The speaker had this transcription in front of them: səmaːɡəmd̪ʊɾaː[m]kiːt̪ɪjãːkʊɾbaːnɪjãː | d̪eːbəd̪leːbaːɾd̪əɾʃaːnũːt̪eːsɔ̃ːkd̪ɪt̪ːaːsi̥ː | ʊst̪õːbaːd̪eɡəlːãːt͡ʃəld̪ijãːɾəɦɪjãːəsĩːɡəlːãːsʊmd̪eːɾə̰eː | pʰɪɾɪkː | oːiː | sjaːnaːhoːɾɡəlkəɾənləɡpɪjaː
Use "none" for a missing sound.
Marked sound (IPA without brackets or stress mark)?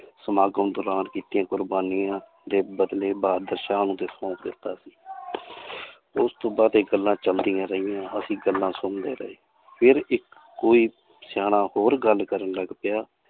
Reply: n